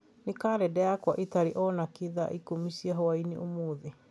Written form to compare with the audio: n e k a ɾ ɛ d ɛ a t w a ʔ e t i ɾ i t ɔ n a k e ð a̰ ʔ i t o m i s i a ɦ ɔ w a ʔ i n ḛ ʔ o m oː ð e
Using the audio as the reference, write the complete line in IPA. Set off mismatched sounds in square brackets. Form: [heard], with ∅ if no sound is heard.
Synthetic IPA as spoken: n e k a ɾ ɛ d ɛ a [k] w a ʔ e t [a] ɾ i [ʔ] ɔ n a k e ð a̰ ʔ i [k] o m i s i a ɦ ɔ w a [∅] i n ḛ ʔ o m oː ð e

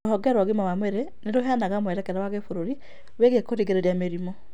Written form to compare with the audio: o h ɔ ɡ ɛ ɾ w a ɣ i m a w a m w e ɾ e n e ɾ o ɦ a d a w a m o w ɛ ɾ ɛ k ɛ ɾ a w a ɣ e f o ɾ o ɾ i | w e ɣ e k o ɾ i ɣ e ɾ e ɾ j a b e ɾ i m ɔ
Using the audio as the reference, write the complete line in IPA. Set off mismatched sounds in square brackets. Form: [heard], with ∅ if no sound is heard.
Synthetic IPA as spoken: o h ɔ ɡ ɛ ɾ w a ɣ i m a w a m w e ɾ e n e ɾ o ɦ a [n] a [ɣ] a m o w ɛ ɾ ɛ k ɛ ɾ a w a ɣ e f o ɾ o ɾ i | w e ɣ e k o ɾ i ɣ e ɾ e ɾ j a [m] e ɾ i m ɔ

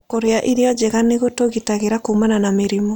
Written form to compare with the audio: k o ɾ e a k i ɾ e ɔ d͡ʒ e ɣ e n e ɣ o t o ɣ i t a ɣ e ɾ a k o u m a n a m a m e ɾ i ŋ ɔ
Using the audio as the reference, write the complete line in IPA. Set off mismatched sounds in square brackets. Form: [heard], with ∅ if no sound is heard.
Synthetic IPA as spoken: k o ɾ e a [ʔ] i ɾ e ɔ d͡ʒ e ɣ [a] n e ɣ o t o ɣ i t a ɣ e ɾ a k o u m a n a [n] a m e ɾ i [m] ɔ

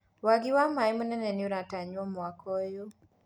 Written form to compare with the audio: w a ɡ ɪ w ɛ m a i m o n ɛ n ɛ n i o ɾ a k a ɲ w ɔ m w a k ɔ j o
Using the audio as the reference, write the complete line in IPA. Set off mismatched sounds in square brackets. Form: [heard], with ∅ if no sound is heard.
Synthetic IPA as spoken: w a ɡ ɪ w [a] m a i m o n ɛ n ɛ n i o ɾ a [t] a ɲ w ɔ m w a k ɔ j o

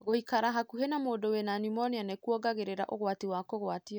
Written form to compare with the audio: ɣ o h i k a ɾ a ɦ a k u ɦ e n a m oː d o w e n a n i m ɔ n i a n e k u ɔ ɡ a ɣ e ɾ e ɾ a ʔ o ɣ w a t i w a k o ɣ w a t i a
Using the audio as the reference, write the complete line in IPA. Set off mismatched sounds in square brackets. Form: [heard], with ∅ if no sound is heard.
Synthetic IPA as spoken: ɣ o h i k a ɾ a ɦ a k u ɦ e n a m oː d o w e n a n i m ɔ n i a n e k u ɔ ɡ a ɣ e ɾ e ɾ a ʔ o ɣ w a t i w a k o ɣ w a t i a

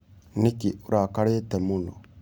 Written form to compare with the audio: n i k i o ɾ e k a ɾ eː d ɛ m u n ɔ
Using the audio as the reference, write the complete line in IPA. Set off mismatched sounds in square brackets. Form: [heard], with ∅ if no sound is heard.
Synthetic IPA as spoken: n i k i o ɾ [a] k a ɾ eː [t] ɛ m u n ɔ

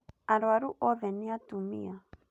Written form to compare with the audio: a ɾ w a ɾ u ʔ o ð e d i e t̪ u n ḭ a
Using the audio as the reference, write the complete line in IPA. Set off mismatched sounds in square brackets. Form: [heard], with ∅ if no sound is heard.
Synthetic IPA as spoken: a ɾ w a ɾ u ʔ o ð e [n] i [a] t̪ u [m] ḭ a

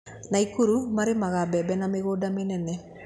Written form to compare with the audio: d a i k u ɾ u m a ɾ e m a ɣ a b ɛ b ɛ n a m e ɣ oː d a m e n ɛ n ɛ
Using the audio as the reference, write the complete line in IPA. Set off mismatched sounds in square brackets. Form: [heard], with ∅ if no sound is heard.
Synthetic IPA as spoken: [n] a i k u ɾ u m a ɾ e m a ɣ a b ɛ b ɛ n a m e ɣ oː d a m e n ɛ n ɛ

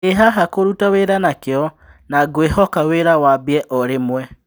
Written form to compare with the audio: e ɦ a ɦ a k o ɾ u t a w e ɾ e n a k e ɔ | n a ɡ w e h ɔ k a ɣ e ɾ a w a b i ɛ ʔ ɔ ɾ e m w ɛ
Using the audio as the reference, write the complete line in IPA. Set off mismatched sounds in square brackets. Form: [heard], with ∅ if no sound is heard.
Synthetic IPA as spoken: e ɦ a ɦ a k o ɾ u t a w e ɾ [a] n a k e ɔ | n a ɡ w e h ɔ k a [w] e ɾ a w a b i ɛ ʔ ɔ ɾ e m w ɛ

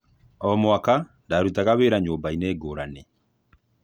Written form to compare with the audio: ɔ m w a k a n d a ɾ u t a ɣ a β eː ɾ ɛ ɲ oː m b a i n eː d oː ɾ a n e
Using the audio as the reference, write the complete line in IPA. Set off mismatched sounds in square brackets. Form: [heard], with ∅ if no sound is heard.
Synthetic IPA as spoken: ɔ m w a k a n d a ɾ u t a ɣ a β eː ɾ [a] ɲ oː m b a i n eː [ɡ] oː ɾ a n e

